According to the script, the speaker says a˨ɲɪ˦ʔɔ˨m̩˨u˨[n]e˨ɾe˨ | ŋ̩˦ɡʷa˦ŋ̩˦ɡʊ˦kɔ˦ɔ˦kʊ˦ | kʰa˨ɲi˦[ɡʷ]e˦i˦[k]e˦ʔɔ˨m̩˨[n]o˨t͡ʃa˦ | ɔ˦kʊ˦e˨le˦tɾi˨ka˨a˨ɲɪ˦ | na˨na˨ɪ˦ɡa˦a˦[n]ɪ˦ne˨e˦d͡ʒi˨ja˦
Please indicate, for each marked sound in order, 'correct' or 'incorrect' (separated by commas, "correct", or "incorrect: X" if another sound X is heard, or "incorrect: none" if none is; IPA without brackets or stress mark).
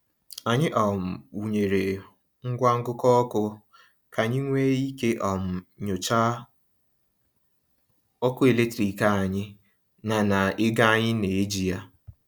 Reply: incorrect: ɲ, incorrect: ŋʷ, correct, incorrect: ɲ, incorrect: ɲ